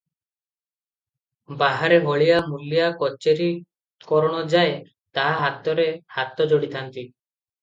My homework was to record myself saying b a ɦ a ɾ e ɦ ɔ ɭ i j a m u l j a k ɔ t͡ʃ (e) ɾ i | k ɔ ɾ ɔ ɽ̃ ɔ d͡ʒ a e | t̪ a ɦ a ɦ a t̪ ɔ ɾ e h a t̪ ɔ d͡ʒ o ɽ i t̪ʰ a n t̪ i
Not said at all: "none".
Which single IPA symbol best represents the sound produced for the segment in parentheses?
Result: e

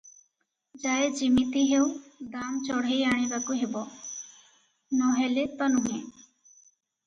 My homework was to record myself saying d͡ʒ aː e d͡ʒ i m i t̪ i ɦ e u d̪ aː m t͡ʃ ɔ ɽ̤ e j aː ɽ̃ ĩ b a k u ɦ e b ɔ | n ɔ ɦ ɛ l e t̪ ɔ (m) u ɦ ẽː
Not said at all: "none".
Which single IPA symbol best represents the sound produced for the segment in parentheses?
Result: n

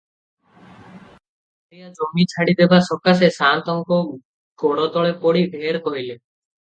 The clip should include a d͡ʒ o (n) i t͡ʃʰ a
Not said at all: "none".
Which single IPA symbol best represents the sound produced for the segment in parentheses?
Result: m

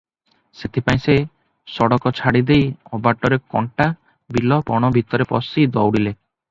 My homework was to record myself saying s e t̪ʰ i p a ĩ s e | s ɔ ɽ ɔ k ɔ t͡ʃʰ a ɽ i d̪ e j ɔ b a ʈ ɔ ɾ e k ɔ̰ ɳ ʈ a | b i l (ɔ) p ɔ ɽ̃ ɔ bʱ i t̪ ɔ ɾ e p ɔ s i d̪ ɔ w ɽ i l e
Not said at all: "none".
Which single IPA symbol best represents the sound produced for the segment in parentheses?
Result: ɔ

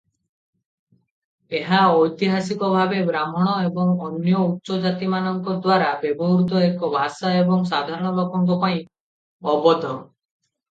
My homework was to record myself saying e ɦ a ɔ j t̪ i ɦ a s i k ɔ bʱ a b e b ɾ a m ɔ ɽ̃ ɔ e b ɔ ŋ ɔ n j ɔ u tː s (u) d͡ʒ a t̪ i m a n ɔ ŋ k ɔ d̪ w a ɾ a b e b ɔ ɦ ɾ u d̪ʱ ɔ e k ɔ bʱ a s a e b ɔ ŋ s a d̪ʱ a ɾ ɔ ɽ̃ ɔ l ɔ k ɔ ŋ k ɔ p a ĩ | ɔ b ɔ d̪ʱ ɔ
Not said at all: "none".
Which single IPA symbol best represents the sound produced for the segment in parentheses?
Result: ɔ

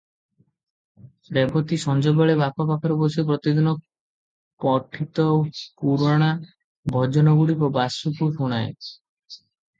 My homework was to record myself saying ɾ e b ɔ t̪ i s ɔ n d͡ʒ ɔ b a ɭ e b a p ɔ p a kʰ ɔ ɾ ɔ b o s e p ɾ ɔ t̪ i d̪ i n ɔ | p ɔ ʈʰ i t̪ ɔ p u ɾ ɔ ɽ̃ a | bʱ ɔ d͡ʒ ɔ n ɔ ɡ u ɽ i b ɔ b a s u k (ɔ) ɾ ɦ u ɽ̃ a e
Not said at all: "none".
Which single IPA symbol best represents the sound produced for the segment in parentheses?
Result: u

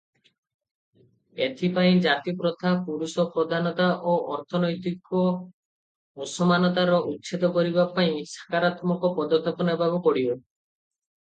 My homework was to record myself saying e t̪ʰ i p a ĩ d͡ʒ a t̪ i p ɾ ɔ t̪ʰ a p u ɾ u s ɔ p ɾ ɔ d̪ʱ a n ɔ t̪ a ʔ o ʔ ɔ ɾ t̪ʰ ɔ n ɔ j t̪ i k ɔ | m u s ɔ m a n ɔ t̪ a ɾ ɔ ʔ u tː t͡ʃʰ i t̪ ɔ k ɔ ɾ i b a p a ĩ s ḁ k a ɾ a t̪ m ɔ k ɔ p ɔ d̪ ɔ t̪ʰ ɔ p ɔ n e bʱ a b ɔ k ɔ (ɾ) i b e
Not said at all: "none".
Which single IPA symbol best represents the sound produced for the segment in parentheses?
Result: ɽ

